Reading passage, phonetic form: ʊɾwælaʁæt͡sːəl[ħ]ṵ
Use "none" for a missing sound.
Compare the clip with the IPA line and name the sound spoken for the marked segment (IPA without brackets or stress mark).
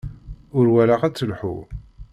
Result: ħ